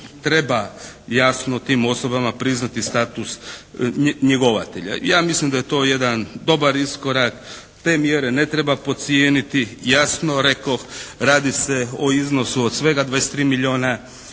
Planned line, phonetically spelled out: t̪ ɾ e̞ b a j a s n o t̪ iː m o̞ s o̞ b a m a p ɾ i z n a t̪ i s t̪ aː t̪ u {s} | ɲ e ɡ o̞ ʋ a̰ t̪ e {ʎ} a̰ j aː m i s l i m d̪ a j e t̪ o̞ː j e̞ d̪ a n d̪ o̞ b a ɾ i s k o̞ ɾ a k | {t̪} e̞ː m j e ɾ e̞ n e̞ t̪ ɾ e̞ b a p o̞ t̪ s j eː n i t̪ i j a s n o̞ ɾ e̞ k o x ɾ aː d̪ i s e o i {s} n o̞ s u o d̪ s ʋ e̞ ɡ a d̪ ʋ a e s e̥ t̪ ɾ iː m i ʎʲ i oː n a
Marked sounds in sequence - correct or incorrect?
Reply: correct, correct, correct, incorrect

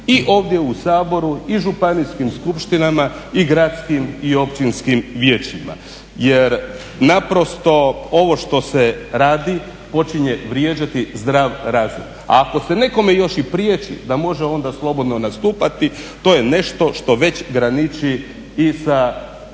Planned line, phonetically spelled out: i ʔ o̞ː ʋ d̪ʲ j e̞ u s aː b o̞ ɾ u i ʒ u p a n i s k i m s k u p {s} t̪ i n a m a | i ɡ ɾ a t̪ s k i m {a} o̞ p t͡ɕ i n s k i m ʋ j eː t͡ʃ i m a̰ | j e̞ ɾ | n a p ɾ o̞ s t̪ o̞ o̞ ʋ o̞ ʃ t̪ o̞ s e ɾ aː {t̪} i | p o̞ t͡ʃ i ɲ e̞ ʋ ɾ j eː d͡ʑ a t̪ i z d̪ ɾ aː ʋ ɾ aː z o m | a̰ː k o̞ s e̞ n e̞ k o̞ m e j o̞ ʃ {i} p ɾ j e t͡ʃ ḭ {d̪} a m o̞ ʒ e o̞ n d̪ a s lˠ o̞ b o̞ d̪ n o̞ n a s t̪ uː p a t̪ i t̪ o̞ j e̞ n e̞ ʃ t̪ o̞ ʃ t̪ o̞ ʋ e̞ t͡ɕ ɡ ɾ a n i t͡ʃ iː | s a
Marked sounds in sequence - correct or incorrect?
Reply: incorrect, incorrect, incorrect, correct, correct

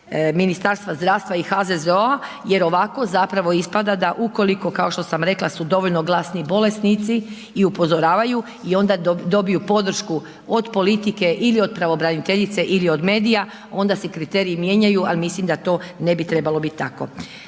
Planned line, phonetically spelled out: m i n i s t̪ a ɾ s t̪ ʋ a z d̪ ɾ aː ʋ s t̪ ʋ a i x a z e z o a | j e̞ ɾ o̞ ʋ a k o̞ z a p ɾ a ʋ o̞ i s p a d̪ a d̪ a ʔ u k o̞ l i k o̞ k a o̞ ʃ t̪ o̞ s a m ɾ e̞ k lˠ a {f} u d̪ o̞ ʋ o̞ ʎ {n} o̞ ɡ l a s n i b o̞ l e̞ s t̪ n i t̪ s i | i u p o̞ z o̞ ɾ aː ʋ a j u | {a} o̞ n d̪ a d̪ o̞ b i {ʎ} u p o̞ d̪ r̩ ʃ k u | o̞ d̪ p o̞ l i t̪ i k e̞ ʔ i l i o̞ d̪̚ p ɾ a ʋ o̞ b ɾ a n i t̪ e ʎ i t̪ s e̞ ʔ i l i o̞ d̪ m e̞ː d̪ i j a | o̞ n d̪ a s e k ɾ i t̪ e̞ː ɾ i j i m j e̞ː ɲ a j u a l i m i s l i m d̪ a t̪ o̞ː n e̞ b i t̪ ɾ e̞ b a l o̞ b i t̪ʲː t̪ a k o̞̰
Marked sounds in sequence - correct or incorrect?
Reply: incorrect, correct, incorrect, incorrect

